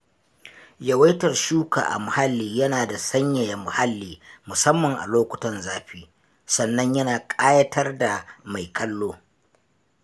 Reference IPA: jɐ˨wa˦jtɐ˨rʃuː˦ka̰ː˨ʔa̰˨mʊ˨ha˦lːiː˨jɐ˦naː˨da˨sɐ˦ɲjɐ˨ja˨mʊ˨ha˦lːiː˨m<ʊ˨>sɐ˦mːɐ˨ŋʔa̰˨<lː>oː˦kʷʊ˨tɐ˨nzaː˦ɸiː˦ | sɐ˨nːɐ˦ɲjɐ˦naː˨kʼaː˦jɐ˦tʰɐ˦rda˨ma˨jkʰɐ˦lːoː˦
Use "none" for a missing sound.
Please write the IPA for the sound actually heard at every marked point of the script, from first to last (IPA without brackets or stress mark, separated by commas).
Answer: ʊ˨, l